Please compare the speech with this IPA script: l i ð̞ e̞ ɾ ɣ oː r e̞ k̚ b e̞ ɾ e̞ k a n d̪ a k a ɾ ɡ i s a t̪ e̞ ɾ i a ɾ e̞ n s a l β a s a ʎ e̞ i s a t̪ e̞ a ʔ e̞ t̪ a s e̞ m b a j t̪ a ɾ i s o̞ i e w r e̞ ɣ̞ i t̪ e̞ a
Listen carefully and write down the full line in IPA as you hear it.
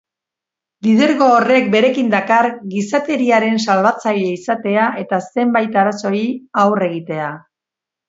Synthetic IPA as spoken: l i ð̞ e̞ ɾ ɣ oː r e̞ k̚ b e̞ ɾ e̞ k i n d̪ a k a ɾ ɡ i s a t̪ e̞ ɾ i a ɾ e̞ n s a l β a t͡s a ʎ e̞ i s a t̪ e̞ a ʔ e̞ t̪ a s e̞ m b a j t̪ a ɾ a s o̞ i a w r e̞ ɣ̞ i t̪ e̞ a